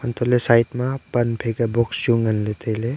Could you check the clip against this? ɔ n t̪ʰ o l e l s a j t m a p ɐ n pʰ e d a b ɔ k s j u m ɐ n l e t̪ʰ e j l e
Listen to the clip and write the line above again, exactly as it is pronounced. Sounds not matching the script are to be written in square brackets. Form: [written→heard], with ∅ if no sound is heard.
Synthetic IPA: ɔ n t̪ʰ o l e [l→∅] s a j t m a p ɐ n pʰ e [d→ɡ] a b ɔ k s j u [m→ŋ] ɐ n l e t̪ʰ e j l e

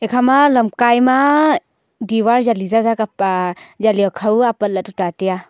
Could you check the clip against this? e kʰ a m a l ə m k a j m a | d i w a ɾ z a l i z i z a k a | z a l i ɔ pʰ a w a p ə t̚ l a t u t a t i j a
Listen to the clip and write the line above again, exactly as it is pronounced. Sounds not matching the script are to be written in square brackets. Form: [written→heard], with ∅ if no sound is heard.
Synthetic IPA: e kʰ a m a l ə m k a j m a | d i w a ɾ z a l i z [i→a] z a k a | z a l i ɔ [pʰ→kʰ] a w a p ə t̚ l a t u t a t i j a

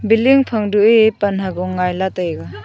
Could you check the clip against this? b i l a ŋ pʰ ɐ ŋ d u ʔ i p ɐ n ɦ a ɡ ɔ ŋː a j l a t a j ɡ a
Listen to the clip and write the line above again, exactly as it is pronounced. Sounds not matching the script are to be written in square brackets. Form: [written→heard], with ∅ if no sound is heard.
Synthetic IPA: b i l [a→i] ŋ pʰ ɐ ŋ d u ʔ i p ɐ n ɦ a ɡ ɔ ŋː a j l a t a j ɡ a

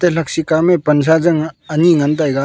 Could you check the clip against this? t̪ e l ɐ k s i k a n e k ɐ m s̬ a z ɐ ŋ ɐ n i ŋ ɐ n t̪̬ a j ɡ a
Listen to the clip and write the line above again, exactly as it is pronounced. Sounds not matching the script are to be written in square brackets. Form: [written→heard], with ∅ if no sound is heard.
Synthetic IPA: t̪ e l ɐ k s i k a [n→m] e [k→p] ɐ [m→n] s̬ a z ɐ ŋ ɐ n i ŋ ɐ n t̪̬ a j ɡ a

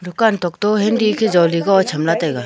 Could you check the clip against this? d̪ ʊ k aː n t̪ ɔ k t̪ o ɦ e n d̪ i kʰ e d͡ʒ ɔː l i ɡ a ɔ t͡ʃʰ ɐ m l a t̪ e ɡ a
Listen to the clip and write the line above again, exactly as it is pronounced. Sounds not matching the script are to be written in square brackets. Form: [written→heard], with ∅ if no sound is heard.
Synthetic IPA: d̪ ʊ k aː n t̪ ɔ k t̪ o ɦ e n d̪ i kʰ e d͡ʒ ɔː l i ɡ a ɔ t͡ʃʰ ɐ m l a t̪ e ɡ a

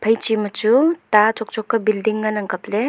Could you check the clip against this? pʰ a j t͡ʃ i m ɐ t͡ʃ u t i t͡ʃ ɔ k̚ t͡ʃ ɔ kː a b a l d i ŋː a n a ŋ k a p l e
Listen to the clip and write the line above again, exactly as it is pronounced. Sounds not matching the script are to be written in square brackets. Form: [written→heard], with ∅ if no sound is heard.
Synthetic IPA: pʰ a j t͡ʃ i m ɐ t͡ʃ u t [i→a] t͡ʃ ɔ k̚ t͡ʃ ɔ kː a b [a→i] l d i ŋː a n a ŋ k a p l e

